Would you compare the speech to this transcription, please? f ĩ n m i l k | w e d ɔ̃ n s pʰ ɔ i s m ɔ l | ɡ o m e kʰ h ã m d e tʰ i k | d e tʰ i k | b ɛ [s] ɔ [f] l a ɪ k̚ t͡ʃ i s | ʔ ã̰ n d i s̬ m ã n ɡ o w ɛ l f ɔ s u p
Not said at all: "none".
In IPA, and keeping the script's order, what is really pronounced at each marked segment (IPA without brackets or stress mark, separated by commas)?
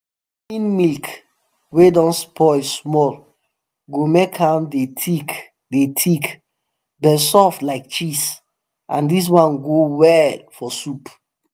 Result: s, f